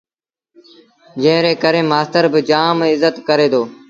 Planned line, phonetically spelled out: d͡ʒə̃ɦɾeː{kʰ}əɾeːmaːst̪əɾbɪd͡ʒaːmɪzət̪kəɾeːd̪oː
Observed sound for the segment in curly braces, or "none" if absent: k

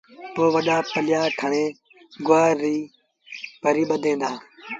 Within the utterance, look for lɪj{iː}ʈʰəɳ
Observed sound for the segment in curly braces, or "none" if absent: aː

